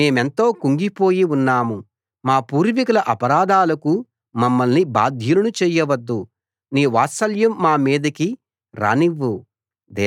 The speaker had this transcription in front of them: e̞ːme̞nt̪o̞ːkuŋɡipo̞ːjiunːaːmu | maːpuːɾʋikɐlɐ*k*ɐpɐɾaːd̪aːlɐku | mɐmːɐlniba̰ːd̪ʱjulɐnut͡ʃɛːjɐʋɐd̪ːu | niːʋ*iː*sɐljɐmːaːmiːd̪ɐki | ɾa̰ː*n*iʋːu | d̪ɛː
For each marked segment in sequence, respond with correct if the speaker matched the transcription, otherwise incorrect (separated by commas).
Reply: incorrect, incorrect, correct